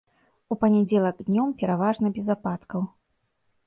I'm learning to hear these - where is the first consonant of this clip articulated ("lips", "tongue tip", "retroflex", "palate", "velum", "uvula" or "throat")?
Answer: lips